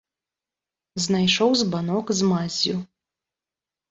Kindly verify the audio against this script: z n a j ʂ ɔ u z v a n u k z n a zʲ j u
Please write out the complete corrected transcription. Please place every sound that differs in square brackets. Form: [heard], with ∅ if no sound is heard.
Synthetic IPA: z n a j ʂ ɔ [w] z [b] a n [ɔ] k z [m] a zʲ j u